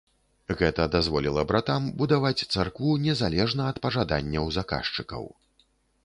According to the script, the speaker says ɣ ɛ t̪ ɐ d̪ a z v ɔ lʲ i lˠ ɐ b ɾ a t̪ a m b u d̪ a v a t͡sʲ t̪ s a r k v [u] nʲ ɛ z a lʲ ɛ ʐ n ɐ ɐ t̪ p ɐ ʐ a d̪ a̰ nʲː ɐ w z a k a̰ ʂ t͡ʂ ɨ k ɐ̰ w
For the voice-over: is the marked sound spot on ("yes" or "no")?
yes